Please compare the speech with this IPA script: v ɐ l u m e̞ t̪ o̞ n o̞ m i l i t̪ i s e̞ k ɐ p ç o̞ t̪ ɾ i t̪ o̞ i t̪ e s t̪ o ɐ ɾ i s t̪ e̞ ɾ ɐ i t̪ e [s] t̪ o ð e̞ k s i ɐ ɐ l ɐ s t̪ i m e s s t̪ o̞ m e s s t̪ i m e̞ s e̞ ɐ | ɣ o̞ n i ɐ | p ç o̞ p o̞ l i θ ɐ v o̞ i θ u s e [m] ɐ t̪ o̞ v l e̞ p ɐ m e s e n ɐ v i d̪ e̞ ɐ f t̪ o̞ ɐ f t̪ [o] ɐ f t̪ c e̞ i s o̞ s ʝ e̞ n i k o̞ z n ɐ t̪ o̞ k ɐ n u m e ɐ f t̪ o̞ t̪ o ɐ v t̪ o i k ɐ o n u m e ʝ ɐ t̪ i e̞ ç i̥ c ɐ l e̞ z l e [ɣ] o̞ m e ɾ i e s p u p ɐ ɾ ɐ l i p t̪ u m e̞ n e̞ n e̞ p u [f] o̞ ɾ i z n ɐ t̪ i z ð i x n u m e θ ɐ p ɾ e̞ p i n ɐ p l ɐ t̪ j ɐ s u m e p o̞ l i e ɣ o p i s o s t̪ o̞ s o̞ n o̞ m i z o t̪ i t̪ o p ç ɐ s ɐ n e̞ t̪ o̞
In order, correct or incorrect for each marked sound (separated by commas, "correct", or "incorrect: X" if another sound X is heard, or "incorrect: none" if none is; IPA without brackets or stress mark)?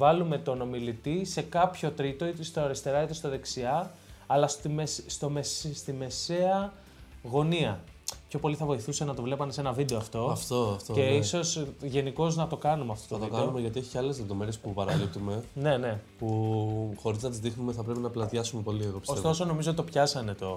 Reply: correct, incorrect: n, correct, incorrect: ð, incorrect: x